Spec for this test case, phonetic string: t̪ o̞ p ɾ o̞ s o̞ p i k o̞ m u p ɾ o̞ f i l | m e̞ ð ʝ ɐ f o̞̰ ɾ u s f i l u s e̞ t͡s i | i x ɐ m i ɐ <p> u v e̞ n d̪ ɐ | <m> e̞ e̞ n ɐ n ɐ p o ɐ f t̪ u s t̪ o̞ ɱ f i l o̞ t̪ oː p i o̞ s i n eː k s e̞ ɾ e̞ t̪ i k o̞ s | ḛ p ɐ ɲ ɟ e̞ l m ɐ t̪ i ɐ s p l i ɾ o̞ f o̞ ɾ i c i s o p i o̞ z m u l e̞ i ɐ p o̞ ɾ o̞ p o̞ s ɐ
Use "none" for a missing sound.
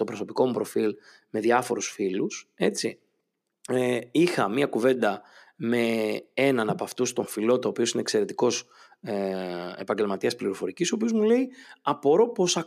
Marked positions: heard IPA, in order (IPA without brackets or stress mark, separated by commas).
k, m